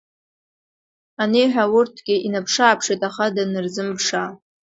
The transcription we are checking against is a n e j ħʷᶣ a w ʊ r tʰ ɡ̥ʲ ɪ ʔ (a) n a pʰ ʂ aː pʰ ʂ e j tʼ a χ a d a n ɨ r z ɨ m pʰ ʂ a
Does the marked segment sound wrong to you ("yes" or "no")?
yes